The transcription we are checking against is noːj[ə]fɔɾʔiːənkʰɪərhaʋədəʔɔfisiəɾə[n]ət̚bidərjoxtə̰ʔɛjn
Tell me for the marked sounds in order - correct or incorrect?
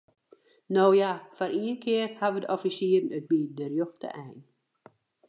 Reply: incorrect, correct

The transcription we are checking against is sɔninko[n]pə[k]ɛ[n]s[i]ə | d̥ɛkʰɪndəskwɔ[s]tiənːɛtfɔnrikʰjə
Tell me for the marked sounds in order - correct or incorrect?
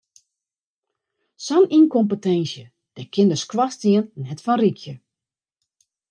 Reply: incorrect, incorrect, correct, incorrect, correct

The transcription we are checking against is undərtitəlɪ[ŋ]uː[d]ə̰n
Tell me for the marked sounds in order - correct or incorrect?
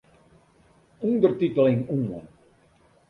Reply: correct, incorrect

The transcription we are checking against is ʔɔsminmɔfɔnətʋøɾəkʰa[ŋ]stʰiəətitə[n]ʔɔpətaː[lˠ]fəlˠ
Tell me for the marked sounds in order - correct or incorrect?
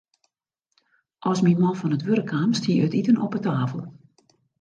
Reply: incorrect, correct, incorrect

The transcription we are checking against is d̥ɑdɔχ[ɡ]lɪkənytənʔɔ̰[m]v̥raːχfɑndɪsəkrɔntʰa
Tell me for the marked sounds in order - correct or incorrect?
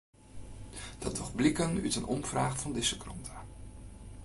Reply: incorrect, correct

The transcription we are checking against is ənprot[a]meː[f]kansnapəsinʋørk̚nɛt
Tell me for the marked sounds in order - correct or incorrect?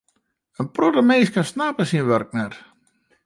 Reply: incorrect, incorrect

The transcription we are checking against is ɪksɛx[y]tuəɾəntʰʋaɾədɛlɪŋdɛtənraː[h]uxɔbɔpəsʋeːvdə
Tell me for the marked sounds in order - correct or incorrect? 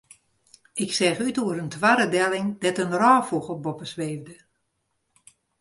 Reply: correct, incorrect

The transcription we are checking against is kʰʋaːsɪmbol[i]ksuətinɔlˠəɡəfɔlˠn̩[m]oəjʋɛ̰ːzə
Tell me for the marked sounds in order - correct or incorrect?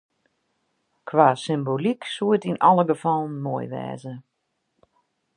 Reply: correct, correct

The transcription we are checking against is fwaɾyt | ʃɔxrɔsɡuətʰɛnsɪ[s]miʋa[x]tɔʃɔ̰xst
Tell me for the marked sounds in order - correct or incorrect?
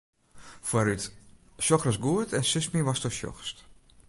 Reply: correct, incorrect

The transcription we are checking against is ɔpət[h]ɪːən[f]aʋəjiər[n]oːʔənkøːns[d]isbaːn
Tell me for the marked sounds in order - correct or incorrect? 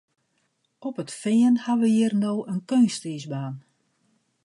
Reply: incorrect, incorrect, correct, incorrect

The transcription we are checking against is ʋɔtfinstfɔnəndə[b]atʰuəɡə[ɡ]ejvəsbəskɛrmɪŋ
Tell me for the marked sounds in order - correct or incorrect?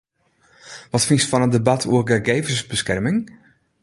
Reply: correct, correct

